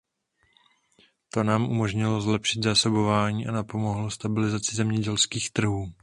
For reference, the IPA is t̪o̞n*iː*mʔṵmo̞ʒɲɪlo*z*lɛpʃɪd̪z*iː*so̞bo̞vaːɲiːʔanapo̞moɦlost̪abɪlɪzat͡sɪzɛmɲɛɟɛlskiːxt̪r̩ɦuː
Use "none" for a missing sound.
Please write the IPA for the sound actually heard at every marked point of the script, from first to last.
aː, z, aː

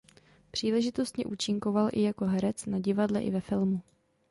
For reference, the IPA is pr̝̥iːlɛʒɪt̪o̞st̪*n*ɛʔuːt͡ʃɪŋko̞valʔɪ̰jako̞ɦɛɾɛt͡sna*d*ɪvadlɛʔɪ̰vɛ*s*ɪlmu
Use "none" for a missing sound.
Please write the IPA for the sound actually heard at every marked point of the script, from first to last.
ɲ, ɟ, f

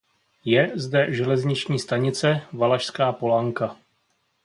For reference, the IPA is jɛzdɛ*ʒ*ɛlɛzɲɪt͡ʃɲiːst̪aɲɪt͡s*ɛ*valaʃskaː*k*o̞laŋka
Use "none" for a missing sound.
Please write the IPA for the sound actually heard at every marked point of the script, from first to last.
ʒ, ɛ, p

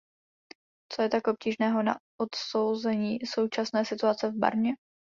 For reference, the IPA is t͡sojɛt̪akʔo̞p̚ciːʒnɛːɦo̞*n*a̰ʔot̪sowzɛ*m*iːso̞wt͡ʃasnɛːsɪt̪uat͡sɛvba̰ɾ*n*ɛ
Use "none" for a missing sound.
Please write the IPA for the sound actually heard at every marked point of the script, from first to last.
n, ɲ, ɲ

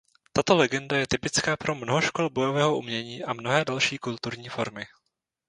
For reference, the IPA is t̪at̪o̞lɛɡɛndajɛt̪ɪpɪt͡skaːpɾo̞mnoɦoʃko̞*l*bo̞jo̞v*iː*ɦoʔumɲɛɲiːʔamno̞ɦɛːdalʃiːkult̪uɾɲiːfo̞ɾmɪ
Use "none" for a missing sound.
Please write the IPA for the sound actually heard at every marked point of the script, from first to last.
l, ɛː

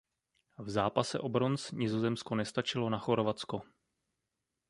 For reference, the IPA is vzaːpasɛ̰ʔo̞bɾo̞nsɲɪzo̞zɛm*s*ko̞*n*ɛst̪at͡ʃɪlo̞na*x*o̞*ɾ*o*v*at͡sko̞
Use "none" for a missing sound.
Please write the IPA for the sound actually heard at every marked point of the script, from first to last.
s, n, x, ɾ, v

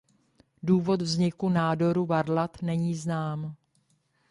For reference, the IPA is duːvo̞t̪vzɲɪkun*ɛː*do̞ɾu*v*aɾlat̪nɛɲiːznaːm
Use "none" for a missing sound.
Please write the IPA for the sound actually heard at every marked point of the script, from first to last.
aː, v

